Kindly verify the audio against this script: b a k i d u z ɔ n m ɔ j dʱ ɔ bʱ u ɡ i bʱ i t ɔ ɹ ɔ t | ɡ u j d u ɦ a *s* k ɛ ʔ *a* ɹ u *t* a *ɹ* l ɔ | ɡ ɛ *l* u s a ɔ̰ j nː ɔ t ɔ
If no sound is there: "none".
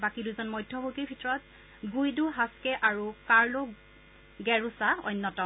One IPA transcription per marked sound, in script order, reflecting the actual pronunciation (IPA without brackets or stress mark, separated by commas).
s, a, k, ɹ, ɹ